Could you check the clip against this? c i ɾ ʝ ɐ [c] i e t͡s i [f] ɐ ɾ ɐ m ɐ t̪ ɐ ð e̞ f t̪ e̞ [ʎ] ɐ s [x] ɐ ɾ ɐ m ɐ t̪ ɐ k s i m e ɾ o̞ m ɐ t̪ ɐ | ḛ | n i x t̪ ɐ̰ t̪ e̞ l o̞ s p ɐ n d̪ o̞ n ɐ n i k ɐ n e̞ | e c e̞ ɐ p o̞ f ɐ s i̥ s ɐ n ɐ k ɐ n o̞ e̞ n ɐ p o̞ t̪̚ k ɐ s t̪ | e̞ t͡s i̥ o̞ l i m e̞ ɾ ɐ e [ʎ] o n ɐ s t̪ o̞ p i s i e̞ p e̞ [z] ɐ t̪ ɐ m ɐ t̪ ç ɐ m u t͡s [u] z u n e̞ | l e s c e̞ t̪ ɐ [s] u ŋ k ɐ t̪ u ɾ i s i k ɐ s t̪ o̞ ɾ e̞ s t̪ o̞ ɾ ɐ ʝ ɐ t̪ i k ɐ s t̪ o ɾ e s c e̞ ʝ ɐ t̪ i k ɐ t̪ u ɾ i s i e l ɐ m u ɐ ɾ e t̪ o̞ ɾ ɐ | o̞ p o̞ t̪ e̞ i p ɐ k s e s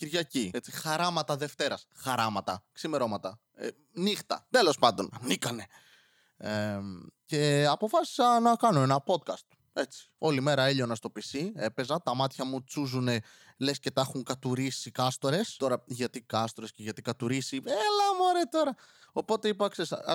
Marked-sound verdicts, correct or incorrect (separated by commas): correct, incorrect, incorrect, correct, correct, correct, correct, incorrect